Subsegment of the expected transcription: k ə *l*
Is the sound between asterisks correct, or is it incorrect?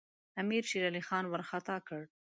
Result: incorrect